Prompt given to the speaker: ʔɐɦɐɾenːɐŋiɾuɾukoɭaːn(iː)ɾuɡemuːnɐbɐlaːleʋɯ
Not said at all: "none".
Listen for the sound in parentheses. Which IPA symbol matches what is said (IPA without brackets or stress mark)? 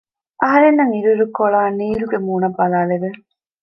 iː